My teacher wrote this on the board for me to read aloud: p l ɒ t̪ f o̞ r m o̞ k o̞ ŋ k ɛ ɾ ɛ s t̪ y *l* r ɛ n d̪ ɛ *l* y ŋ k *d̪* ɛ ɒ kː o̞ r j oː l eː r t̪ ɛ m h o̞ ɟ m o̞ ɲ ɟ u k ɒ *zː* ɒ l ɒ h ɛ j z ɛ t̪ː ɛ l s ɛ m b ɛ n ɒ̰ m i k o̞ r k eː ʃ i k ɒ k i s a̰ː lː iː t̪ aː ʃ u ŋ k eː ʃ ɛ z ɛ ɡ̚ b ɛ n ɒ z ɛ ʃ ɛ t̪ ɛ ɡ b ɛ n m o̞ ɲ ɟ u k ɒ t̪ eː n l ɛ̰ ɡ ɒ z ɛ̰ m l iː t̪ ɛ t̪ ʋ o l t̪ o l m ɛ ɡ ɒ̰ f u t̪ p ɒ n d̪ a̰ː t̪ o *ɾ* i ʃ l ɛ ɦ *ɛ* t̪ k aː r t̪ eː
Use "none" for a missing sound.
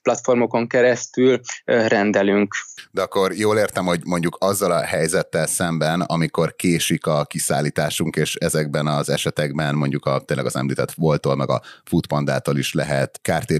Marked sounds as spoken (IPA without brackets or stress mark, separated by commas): l, l, d̪, zː, l, ɛ